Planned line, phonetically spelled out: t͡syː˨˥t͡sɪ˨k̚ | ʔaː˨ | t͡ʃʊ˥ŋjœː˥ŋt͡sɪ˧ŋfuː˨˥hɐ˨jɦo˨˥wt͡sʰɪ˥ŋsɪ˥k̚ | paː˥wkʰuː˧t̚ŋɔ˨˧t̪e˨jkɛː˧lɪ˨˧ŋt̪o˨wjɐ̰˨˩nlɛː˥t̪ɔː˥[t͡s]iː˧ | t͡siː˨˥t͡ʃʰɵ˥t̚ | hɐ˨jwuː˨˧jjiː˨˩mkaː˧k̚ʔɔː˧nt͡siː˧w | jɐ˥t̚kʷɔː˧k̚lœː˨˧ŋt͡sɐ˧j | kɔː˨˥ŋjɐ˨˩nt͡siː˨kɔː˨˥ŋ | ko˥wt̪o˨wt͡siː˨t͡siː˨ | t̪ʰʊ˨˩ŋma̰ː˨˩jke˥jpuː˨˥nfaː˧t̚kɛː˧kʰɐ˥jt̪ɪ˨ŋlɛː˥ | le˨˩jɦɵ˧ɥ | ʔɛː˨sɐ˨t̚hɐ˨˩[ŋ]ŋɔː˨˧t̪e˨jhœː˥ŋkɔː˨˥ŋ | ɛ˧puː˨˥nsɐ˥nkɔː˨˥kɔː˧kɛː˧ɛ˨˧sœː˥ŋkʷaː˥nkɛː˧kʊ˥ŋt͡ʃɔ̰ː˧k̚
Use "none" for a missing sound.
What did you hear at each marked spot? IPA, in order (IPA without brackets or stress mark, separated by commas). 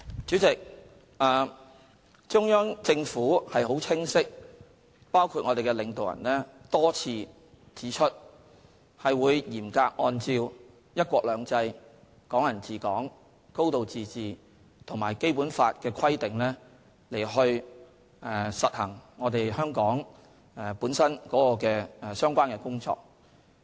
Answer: t͡sʰ, ŋ